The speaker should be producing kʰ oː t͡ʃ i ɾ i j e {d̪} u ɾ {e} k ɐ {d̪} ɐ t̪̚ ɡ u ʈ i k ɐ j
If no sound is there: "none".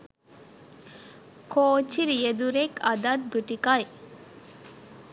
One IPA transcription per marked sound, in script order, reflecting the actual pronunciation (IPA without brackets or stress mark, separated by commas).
d̪, e, d̪